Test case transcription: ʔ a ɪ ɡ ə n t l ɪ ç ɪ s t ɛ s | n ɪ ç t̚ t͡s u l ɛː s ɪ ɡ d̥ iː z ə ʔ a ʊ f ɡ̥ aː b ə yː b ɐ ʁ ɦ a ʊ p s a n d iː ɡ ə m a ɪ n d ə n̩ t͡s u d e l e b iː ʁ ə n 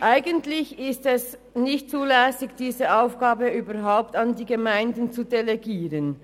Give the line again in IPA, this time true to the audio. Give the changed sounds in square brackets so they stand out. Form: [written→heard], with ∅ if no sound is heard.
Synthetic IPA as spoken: ʔ a ɪ ɡ ə n t l ɪ ç ɪ s t ɛ s | n ɪ ç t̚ t͡s [u→uː] l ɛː s ɪ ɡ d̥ iː z ə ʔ a ʊ f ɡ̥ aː b ə yː b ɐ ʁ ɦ a ʊ p [s→t] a n d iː ɡ ə m a ɪ n d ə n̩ t͡s u d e l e [b→ɡ] iː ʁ ə n